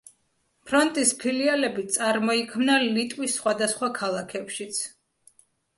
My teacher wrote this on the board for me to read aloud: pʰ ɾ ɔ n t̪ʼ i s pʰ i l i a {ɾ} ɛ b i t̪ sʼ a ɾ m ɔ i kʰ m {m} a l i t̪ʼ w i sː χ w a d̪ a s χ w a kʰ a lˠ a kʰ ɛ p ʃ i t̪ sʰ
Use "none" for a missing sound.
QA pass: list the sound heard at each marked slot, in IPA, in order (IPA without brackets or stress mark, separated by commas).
l, n